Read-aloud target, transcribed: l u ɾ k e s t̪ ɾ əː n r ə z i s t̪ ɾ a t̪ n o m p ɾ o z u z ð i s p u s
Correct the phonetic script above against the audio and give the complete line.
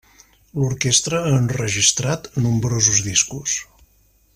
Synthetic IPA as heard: l u ɾ k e s t̪ ɾ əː n r ə ʒ i s t̪ ɾ a t̪ n u m b ɾ o z u z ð i s k u s